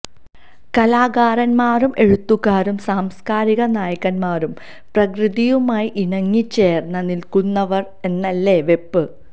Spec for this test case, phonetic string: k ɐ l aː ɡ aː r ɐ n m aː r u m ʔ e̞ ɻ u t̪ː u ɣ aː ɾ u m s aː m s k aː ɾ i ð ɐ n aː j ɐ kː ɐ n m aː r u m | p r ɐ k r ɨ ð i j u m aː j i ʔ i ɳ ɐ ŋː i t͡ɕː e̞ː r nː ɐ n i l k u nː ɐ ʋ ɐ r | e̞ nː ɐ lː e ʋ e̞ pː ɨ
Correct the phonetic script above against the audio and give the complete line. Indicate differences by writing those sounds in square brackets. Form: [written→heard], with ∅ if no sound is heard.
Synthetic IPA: k ɐ l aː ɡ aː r ɐ n m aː r u m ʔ e̞ ɻ u t̪ː u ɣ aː ɾ u m s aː m s k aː ɾ i [ð→ɣ] ɐ n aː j ɐ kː ɐ n m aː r u m | p r ɐ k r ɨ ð i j u m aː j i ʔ i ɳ ɐ ŋː i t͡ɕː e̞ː r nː ɐ n i l k u nː ɐ ʋ ɐ r | e̞ nː ɐ lː e ʋ e̞ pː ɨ